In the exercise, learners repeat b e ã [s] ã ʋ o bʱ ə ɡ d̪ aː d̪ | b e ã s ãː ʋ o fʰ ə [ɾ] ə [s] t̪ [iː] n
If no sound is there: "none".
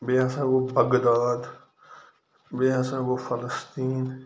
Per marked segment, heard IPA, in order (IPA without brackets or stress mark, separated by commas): s, l, s, iː